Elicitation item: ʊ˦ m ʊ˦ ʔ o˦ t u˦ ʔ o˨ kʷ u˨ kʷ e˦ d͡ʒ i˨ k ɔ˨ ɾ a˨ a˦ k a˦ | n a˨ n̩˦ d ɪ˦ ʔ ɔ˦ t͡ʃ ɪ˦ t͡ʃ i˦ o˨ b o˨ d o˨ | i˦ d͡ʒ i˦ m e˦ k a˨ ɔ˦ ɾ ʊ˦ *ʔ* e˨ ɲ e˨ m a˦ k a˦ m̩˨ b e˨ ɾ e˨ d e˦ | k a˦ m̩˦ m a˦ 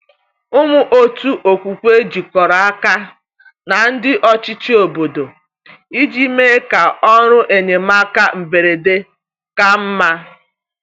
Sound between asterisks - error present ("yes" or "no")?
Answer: no